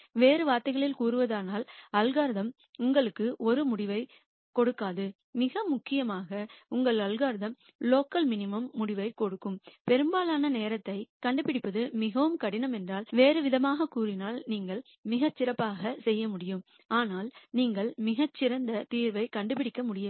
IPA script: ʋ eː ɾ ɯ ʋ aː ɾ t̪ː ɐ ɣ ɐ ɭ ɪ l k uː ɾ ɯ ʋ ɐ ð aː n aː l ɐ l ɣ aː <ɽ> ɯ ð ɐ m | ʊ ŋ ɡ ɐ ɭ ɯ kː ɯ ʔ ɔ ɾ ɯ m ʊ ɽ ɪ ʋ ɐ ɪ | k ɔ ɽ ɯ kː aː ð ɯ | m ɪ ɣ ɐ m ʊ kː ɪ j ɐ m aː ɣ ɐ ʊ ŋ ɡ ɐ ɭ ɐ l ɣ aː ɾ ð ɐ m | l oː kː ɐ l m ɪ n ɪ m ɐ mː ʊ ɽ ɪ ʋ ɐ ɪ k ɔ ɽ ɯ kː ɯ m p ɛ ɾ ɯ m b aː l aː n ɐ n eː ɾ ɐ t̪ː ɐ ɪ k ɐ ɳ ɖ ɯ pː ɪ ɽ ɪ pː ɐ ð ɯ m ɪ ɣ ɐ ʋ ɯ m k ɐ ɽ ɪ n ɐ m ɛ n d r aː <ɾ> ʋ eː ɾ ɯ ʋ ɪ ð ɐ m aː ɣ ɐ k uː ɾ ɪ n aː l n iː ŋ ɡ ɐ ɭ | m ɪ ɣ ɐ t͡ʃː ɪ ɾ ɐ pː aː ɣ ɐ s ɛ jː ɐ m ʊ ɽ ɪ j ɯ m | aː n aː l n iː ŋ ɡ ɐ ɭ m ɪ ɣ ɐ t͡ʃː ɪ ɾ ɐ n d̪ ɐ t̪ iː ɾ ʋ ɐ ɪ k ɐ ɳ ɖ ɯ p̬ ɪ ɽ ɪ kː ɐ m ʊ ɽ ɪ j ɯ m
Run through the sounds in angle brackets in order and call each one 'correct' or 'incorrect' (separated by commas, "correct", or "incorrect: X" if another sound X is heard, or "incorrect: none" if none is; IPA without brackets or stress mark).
incorrect: ɾ, incorrect: l